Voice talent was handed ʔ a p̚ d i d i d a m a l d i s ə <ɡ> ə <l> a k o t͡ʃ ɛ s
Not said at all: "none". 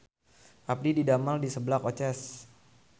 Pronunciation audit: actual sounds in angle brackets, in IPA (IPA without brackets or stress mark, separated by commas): b, l